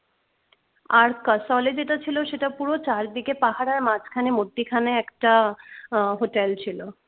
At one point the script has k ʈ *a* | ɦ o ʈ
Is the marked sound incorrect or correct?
correct